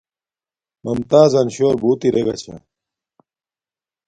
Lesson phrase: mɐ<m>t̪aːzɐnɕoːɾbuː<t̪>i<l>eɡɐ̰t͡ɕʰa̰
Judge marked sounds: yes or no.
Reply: yes, yes, no

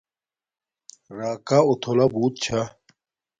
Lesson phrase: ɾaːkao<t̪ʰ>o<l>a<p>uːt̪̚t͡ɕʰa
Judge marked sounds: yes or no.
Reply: yes, yes, no

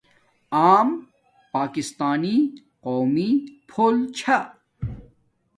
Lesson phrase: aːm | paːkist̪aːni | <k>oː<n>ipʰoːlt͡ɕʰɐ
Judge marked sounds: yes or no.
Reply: no, no

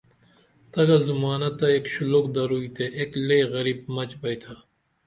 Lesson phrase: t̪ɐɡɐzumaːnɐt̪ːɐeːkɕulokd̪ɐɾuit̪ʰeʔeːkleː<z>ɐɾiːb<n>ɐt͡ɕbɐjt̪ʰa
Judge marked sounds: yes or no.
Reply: no, no

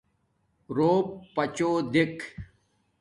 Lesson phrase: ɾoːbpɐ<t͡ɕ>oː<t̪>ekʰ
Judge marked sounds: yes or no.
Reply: yes, no

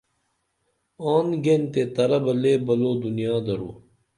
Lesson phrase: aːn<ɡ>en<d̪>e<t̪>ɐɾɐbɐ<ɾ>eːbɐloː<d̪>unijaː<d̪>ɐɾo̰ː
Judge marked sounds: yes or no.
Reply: yes, no, yes, no, yes, yes

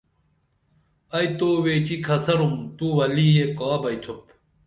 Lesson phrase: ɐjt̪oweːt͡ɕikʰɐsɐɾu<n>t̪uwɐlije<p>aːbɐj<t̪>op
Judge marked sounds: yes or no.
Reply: no, no, no

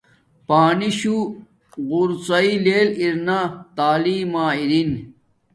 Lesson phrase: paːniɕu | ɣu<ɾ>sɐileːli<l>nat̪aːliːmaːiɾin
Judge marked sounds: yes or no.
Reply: yes, no

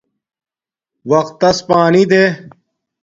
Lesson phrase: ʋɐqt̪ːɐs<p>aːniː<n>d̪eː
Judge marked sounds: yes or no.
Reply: yes, no

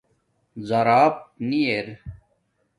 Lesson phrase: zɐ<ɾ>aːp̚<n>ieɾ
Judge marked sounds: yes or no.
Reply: yes, yes

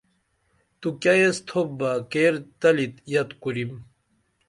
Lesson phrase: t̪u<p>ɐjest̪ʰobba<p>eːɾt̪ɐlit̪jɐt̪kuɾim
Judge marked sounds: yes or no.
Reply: no, no

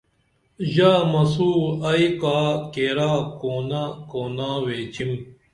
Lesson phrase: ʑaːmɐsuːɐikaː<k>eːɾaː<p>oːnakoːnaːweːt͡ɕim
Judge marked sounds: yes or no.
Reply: yes, no

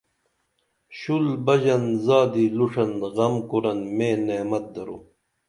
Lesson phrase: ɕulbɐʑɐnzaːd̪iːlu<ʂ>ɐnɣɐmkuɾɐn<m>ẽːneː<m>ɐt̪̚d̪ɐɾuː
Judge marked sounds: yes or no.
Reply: yes, yes, yes

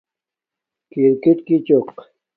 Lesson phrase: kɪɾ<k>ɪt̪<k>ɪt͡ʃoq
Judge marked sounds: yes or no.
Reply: yes, yes

